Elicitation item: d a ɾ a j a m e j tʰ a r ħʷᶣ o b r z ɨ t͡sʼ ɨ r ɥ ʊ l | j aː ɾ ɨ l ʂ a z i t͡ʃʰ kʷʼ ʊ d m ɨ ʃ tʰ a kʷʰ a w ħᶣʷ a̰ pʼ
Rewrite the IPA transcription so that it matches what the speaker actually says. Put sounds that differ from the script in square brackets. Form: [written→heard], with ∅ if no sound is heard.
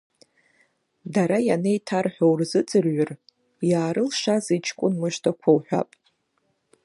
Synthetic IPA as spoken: d a ɾ a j a [m→n] e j tʰ a r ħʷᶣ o [b→w] r z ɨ t͡sʼ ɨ r ɥ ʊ [l→r] | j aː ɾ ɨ l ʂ a z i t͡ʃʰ kʷʼ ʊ [d→n] m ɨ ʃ tʰ a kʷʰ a w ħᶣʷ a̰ pʼ

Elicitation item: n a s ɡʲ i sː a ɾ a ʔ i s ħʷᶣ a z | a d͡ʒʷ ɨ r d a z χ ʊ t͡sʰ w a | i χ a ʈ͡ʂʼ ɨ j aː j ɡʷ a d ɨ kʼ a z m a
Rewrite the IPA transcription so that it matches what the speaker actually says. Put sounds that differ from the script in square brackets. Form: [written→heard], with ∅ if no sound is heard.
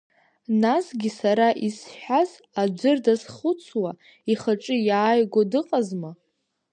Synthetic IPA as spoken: n a s ɡʲ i [sː→s] a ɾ a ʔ i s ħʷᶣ a z | a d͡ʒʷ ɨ r d a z χ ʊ t͡sʰ w a | i χ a ʈ͡ʂʼ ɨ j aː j ɡʷ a d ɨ [kʼ→qʼ] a z m a

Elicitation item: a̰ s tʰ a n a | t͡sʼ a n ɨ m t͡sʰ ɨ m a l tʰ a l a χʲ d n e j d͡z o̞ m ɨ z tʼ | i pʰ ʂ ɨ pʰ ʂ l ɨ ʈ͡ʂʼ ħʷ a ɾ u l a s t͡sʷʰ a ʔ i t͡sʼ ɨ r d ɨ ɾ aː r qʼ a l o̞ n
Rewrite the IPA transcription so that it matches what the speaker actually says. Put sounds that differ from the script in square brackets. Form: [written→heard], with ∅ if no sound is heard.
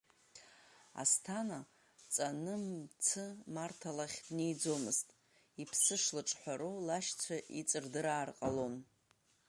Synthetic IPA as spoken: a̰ s tʰ a n a | t͡sʼ a n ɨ m t͡sʰ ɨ m a [l→r] tʰ a l a χʲ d n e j d͡z o̞ m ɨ z tʼ | i pʰ [ʂ→s] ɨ [pʰ→∅] ʂ l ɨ ʈ͡ʂʼ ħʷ a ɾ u l a [s→ʃ] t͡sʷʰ a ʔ i t͡sʼ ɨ r d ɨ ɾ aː r qʼ a l o̞ n

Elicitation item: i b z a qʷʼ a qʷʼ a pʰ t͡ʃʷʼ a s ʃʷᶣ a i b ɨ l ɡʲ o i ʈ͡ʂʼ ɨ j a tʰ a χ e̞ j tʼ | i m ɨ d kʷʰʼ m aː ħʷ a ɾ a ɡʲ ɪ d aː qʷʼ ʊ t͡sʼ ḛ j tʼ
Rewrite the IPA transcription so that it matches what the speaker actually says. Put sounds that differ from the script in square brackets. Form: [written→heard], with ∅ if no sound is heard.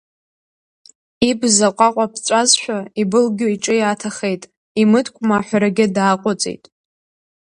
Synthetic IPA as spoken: i b z a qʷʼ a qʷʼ a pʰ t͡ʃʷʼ a [s→z] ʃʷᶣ a i b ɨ l ɡʲ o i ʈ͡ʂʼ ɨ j a tʰ a χ e̞ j tʼ | i m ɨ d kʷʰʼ m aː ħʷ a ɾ a ɡʲ ɪ d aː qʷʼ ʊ t͡sʼ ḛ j tʼ

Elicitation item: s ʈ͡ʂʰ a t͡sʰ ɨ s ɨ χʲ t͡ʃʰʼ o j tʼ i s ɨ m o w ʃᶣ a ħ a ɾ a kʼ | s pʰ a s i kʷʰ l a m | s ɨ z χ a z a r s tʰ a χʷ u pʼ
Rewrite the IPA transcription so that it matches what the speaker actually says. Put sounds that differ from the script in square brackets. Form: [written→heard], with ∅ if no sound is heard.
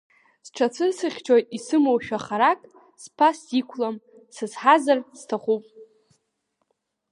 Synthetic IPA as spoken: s ʈ͡ʂʰ a t͡sʰ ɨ s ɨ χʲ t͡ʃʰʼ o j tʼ i s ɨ m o w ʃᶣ a [ħ→χ] a ɾ a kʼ | s pʰ a s i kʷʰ l a m | s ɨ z [χ→ħ] a z a r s tʰ a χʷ u pʼ

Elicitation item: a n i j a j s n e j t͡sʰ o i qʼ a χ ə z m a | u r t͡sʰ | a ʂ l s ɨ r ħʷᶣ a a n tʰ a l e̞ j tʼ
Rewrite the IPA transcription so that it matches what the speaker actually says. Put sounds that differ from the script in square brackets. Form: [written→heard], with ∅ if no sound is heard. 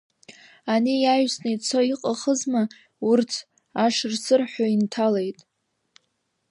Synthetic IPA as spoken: a n i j a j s n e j t͡sʰ o i qʼ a χ ə z m a | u r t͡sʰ | a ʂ [l→r] s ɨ r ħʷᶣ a [a→i] n tʰ a l e̞ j tʼ

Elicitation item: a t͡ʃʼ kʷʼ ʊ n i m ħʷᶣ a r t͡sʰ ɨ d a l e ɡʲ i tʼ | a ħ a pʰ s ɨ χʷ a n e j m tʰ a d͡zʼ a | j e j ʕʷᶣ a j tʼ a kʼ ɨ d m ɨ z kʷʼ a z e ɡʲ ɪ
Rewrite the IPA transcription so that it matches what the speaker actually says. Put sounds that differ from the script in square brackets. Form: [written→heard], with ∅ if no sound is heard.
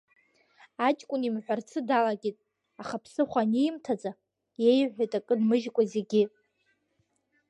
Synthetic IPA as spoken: a t͡ʃʼ kʷʼ ʊ n i m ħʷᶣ a r t͡sʰ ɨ d a l [e→a] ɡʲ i tʼ | a [ħ→χ] a pʰ s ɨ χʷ a n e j m tʰ a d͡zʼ a | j e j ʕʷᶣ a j tʼ a kʼ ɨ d m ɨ [z→ʒ] kʷʼ a z e ɡʲ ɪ

